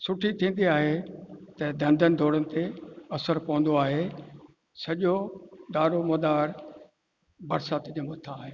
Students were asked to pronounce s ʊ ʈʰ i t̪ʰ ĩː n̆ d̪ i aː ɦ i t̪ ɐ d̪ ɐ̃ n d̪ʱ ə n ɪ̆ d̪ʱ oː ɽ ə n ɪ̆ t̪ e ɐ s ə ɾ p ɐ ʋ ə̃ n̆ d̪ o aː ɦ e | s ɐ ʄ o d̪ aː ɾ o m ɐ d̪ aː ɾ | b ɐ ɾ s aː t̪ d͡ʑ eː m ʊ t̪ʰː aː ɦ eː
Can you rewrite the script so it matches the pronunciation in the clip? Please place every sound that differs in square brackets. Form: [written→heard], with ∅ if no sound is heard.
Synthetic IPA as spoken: s ʊ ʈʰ i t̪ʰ ĩː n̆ d̪ i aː ɦ [i→e] t̪ ɐ d̪ ɐ̃ n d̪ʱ ə n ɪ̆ d̪ʱ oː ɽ ə n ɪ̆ t̪ e ɐ s ə ɾ p ɐ ʋ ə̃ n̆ d̪ o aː ɦ e | s ɐ ʄ o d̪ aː ɾ o m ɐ d̪ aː ɾ | b ɐ ɾ s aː t̪ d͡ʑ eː m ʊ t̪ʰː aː ɦ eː